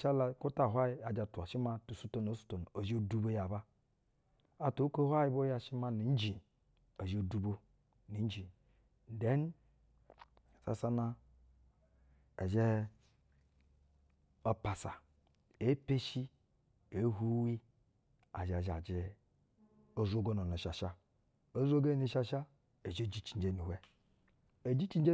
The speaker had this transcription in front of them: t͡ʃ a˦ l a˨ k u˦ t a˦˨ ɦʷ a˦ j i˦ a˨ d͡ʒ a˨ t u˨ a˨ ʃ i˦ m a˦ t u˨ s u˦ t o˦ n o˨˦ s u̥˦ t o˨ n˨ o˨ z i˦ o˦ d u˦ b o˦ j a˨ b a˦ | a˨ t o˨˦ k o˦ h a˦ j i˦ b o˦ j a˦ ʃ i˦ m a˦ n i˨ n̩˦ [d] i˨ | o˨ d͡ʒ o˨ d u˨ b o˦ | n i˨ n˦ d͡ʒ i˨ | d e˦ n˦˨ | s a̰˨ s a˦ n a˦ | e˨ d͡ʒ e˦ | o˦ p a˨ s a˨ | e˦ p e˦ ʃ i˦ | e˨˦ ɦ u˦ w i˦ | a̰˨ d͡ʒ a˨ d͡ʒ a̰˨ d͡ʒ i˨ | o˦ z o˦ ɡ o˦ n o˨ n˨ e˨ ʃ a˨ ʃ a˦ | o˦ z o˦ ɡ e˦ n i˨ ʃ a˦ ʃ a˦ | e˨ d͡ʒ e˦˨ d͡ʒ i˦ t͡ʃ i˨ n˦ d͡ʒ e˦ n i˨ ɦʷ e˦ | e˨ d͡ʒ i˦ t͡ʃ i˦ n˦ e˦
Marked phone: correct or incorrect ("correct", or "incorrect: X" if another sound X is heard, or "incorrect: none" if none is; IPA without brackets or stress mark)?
incorrect: d͡ʒ